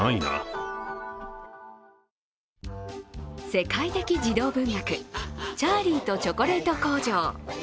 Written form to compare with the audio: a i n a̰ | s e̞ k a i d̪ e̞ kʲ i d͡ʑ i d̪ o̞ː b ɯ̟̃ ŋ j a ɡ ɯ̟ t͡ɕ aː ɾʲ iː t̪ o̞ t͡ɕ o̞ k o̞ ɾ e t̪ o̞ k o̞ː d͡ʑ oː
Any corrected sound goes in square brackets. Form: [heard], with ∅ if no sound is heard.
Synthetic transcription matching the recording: a i n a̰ | s e̞ k a i [t̪] e̞ kʲ i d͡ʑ i d̪ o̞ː b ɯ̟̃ ŋ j a [k] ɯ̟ t͡ɕ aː ɾʲ iː t̪ o̞ t͡ɕ o̞ k o̞ ɾ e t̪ o̞ k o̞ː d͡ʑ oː